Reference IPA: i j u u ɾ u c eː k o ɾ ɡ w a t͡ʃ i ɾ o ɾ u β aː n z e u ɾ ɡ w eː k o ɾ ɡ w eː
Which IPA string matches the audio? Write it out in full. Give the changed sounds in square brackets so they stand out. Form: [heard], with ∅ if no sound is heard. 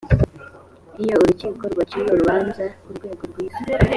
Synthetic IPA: i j [o] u ɾ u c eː k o ɾ ɡ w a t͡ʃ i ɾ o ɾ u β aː n z [a] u ɾ ɡ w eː [ɡ] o ɾ ɡ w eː